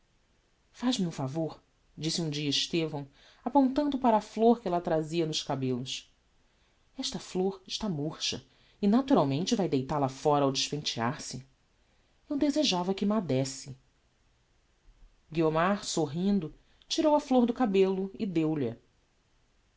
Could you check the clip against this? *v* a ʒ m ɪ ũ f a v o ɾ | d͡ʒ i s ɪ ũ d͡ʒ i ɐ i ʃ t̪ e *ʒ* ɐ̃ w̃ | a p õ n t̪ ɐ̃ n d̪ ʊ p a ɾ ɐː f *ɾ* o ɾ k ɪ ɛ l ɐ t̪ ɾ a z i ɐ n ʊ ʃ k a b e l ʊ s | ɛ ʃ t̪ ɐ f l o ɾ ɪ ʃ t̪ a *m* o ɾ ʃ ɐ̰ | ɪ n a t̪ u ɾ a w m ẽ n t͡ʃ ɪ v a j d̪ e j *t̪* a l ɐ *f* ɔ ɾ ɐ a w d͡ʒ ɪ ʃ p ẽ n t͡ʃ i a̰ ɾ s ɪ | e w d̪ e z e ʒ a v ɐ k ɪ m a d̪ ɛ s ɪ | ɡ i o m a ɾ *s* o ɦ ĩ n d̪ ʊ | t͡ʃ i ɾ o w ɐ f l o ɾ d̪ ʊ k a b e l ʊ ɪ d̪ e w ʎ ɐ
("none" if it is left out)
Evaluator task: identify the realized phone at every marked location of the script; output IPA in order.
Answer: f, v, l, m, t̪, f, s

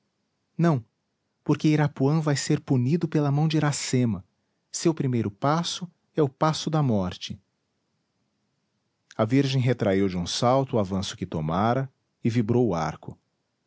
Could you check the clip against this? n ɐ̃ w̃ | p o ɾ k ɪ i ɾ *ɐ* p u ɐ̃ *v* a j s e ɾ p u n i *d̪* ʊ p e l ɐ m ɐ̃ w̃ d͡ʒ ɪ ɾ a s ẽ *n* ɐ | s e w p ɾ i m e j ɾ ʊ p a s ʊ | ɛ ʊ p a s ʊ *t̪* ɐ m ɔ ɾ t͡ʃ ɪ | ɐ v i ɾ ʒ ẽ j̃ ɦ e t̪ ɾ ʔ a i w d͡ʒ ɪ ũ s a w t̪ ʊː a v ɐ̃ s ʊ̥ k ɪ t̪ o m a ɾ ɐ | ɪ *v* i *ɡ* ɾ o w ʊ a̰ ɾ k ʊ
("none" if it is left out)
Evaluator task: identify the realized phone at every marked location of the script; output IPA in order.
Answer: a, v, d̪, m, d̪, v, b

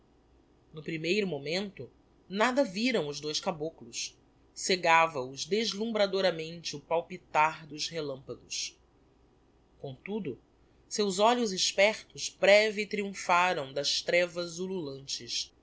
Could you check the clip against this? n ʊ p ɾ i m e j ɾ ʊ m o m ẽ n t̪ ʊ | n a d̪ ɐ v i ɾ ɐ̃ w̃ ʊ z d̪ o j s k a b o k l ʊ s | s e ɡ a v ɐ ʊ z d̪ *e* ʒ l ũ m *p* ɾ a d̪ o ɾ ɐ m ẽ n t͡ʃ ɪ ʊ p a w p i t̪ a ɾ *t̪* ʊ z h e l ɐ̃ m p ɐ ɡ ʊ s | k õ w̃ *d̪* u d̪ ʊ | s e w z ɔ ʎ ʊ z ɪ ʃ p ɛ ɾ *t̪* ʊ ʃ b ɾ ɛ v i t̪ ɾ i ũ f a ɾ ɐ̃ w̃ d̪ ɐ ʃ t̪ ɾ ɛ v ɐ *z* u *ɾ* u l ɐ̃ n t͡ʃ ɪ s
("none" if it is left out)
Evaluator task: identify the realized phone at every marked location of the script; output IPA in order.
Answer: e, b, d̪, t̪, t̪, z, l

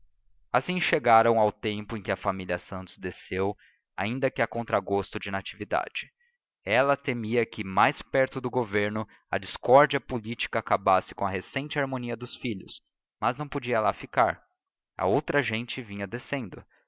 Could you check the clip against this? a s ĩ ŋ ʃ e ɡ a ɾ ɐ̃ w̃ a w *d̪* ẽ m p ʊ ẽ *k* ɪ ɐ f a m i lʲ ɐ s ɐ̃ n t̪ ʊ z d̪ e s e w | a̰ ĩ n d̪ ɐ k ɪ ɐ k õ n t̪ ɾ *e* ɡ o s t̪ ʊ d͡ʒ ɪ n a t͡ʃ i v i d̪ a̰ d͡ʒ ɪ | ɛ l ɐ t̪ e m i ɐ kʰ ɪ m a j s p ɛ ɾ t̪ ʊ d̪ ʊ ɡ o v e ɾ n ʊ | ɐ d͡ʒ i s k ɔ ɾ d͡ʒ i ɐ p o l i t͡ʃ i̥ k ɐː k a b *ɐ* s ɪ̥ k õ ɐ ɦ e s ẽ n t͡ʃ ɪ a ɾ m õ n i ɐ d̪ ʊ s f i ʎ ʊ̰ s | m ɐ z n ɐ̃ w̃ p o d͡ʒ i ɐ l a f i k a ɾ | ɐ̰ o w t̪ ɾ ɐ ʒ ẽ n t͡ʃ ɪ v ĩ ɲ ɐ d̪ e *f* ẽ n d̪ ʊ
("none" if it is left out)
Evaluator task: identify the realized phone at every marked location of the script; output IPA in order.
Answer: t̪, k, a, a, s

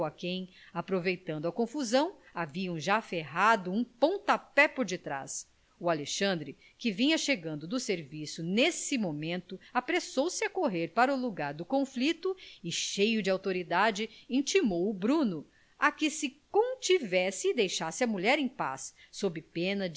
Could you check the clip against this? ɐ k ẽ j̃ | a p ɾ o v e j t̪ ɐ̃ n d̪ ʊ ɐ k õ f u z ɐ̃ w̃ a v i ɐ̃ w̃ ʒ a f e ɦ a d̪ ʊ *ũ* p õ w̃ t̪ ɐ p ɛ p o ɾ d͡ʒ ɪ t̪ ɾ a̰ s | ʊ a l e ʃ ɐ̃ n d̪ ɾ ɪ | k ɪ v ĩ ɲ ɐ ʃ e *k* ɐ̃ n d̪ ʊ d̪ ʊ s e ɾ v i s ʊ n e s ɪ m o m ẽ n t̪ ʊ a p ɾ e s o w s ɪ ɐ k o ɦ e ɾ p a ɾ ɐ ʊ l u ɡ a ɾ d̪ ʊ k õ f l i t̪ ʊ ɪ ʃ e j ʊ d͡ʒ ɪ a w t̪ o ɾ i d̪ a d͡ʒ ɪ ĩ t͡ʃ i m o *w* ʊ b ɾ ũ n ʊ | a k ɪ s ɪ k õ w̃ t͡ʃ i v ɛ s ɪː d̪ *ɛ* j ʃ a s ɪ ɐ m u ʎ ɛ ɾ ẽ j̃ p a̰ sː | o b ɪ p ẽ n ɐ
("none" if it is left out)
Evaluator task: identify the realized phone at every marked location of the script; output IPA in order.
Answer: ũ, ɡ, w, e

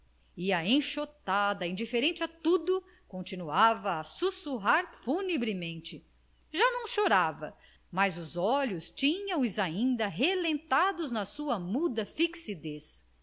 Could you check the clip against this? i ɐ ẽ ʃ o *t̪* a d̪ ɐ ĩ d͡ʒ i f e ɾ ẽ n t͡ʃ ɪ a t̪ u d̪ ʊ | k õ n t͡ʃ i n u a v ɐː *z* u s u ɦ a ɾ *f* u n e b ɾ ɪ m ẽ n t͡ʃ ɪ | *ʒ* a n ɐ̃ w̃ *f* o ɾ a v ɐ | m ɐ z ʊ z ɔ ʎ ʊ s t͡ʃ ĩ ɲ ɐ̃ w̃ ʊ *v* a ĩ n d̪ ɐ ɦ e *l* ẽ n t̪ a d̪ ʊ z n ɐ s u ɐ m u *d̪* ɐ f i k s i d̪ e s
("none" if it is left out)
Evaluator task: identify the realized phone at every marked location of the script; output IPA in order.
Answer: t̪, s, f, ʒ, ʃ, z, l, d̪

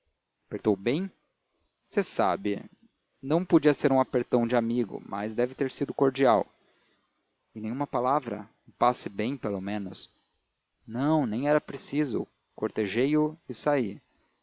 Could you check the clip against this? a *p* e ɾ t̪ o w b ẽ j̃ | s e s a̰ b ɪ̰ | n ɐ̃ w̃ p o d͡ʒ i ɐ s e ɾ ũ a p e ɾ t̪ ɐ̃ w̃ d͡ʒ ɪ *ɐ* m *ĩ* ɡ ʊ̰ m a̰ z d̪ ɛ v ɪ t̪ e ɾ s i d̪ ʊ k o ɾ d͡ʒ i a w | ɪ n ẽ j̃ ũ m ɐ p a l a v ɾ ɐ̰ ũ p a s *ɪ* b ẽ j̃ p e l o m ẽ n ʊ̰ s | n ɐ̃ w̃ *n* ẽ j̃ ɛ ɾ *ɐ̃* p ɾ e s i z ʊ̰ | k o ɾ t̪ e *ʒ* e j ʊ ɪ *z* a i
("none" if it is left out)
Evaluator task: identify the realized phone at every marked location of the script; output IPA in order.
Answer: p, a, i, ɪ, n, ɐ, ʒ, s

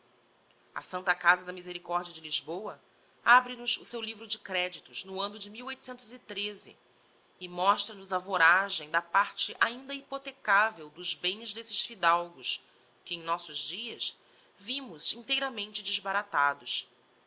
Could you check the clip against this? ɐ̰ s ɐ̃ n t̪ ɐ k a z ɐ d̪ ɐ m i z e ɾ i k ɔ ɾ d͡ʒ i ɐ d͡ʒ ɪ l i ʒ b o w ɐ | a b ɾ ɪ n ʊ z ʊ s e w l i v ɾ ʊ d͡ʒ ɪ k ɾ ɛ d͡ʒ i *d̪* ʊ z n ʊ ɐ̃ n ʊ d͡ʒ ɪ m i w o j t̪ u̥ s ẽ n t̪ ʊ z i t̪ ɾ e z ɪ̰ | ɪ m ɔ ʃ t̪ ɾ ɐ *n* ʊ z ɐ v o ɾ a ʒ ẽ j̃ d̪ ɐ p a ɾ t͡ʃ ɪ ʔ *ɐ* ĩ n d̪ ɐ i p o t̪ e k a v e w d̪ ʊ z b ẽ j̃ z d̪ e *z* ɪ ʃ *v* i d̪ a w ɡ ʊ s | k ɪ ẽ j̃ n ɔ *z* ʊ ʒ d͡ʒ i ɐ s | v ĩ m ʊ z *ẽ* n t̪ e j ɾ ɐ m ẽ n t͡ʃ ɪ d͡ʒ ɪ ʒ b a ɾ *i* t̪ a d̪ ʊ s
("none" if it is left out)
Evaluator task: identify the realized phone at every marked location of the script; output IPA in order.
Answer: t̪, n, a, s, f, s, ĩ, a

